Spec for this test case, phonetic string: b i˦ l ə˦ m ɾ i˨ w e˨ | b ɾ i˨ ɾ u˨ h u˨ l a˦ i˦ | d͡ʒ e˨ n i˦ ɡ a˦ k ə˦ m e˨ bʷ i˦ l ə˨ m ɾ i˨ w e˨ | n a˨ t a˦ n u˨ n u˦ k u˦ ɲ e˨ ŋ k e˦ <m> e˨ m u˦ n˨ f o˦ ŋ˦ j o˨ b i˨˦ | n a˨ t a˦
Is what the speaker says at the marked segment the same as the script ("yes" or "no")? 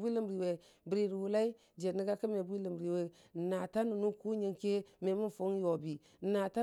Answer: yes